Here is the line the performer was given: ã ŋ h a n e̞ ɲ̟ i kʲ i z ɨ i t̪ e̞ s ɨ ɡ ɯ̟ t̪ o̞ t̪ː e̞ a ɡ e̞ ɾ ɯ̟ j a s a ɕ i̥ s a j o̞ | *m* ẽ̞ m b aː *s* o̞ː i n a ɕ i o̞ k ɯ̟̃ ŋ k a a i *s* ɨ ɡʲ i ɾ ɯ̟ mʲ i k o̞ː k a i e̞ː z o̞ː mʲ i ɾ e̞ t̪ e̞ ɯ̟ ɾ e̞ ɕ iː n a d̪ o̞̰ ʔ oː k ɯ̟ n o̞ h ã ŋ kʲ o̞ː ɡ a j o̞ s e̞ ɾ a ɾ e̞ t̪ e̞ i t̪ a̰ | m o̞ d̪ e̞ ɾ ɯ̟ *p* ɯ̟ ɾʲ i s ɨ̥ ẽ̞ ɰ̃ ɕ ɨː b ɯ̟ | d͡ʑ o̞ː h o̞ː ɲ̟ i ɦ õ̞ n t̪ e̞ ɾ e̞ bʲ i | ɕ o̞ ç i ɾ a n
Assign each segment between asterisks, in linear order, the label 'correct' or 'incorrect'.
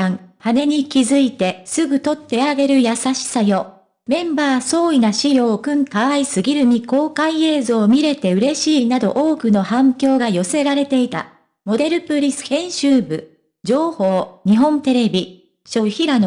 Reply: correct, correct, correct, correct

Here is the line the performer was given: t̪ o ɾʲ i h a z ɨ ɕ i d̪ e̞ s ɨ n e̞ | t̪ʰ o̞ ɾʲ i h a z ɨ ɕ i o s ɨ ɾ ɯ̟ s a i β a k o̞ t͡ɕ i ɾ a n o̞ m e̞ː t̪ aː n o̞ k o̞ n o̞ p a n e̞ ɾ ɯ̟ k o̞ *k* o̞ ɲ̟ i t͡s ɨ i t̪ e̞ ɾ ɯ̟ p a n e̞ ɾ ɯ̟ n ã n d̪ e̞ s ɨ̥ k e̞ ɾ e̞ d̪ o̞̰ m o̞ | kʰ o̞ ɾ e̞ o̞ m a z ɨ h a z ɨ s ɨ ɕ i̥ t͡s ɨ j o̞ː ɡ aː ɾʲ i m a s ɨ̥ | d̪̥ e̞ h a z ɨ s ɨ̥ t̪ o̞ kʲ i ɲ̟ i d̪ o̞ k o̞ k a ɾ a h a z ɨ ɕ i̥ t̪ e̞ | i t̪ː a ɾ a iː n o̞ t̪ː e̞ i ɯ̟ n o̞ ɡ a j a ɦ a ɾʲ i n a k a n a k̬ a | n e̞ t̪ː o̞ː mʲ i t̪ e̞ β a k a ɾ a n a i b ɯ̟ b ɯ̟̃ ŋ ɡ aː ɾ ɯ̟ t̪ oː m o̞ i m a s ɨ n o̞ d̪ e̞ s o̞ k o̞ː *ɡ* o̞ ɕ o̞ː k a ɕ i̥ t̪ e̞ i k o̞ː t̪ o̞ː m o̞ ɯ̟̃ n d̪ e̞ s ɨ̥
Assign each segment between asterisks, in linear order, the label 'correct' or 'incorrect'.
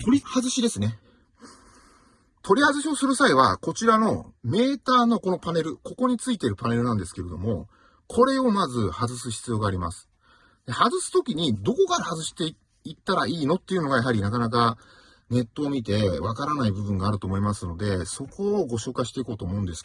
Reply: correct, correct

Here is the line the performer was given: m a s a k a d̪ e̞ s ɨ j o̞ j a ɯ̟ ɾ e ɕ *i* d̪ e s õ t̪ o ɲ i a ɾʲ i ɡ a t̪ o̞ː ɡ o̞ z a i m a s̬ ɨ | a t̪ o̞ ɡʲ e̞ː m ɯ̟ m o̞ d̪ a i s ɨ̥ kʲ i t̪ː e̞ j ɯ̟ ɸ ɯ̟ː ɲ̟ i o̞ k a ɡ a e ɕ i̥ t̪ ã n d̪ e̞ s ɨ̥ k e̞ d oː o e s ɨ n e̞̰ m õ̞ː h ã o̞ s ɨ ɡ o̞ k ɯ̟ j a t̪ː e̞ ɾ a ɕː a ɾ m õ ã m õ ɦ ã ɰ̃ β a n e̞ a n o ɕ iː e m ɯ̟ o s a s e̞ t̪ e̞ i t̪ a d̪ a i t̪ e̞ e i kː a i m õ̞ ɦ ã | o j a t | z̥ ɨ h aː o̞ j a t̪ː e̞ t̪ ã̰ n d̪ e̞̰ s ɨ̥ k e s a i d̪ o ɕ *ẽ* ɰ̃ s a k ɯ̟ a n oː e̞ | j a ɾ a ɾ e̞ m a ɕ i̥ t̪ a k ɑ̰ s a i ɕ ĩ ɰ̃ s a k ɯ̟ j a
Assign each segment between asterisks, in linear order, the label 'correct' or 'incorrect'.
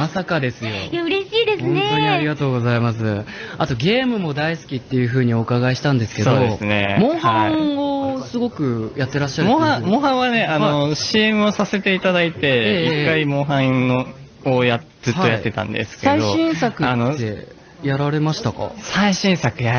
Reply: incorrect, incorrect

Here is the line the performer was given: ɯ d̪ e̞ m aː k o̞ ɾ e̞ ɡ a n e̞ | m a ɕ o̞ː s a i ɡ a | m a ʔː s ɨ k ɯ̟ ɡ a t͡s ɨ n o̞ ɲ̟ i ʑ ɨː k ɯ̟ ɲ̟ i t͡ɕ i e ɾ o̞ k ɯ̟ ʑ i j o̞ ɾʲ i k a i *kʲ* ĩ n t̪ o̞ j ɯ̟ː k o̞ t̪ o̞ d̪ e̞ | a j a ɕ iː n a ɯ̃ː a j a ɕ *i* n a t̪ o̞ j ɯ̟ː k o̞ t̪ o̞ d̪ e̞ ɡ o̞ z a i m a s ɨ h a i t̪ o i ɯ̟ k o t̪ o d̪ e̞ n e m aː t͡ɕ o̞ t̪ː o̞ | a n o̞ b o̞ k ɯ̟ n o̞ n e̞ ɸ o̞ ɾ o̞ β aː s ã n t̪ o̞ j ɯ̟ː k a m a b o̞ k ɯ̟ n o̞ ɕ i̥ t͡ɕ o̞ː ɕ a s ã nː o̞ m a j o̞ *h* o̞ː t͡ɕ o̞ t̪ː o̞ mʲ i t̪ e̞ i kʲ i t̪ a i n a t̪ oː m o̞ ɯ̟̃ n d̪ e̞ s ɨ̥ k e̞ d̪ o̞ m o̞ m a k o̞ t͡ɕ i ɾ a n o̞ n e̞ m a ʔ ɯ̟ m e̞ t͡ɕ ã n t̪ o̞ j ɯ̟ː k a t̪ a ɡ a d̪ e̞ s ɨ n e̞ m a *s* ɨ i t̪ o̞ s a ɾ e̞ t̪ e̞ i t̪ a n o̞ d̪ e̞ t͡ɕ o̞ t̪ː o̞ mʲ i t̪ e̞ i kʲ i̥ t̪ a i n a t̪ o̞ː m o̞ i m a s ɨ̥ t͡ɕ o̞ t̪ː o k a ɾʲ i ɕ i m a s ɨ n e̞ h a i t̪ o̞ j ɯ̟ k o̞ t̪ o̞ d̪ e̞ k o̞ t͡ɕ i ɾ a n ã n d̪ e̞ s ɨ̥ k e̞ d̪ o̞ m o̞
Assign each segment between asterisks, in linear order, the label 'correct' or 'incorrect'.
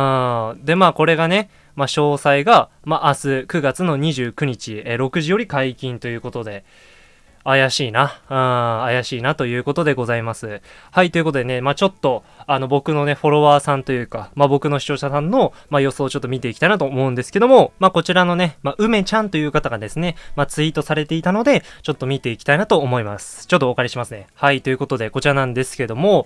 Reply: correct, incorrect, incorrect, incorrect

